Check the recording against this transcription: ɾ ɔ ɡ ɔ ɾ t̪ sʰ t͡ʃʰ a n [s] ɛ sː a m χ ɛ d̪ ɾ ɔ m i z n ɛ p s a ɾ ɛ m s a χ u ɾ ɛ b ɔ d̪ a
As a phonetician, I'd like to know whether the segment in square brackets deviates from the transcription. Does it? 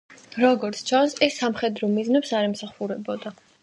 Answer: no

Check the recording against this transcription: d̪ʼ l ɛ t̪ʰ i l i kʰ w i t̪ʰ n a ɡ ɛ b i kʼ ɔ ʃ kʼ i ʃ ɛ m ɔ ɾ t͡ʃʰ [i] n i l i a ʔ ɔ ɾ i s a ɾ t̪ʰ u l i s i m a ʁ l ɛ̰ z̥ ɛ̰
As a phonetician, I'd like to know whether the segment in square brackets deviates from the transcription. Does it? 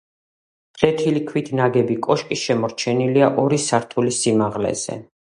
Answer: yes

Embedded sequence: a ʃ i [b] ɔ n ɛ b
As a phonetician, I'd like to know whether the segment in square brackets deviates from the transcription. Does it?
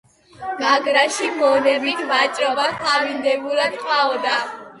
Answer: yes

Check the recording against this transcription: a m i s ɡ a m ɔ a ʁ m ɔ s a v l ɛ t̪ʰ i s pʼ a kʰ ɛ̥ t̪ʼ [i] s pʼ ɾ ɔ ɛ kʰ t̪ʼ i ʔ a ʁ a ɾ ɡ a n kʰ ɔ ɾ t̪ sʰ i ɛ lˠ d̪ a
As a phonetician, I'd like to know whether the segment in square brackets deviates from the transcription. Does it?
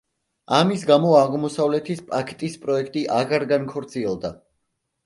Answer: no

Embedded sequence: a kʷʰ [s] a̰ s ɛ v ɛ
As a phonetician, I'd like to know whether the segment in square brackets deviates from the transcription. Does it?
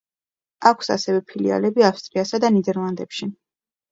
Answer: no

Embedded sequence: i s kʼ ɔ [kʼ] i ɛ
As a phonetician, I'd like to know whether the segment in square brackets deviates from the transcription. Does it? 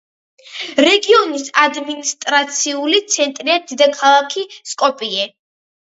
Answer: yes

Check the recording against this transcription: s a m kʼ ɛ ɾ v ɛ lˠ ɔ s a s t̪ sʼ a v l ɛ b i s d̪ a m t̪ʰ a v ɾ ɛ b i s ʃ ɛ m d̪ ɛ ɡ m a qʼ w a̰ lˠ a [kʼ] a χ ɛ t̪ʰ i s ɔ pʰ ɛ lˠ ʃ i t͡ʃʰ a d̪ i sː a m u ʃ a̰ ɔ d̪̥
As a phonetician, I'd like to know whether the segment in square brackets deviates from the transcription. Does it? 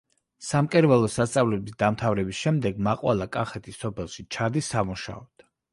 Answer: no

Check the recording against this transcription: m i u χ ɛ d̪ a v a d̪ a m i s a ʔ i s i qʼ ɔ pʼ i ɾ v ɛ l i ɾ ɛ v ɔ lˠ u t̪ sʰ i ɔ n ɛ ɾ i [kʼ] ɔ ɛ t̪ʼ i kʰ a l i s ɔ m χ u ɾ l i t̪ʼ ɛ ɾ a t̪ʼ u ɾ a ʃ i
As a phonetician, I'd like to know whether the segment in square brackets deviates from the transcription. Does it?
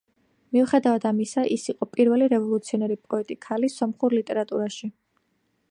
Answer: yes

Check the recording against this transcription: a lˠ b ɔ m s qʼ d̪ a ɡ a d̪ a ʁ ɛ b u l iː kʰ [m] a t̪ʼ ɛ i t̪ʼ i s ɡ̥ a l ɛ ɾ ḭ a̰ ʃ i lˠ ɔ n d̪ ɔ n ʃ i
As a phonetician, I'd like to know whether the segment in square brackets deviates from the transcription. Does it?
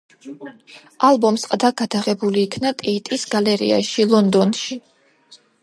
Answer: yes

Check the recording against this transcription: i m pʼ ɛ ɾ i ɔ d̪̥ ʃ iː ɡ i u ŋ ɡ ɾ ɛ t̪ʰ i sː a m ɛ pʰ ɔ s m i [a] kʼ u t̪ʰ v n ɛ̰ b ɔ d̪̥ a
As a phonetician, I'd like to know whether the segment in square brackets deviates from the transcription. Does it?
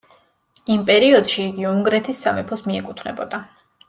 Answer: yes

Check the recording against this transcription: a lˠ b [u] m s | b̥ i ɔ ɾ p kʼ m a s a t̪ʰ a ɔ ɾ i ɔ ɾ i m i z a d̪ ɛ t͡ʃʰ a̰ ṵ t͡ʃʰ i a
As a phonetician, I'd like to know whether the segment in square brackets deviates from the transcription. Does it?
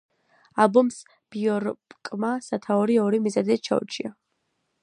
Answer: yes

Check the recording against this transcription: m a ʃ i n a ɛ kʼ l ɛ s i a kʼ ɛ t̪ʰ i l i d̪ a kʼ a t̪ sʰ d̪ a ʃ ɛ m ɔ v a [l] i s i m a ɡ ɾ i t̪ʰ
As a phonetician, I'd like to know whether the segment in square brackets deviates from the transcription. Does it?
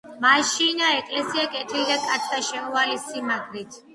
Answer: no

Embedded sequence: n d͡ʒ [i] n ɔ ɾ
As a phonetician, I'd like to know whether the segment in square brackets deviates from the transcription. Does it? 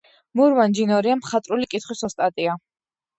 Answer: no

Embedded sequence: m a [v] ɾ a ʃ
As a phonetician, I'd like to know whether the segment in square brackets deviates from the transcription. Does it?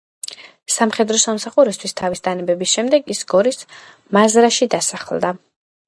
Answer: yes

